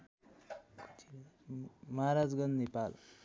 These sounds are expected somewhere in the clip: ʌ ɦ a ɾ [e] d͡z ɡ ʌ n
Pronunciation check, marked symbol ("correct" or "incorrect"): incorrect